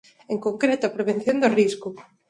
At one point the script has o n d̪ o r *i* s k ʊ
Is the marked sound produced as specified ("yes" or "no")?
yes